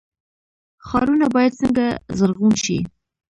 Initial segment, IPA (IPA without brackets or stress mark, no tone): x